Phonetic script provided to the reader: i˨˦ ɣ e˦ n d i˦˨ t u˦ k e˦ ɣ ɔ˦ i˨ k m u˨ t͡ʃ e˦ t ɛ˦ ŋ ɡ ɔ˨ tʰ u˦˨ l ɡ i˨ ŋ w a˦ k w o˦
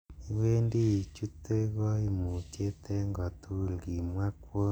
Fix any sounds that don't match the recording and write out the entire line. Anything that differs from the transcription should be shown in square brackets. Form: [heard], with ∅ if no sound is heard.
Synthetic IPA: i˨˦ [w] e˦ n d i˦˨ [t͡ʃ] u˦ [t] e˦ ɣ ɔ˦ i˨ [∅] m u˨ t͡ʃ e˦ t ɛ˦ ŋ ɡ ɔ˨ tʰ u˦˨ l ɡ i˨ [m] w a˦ k w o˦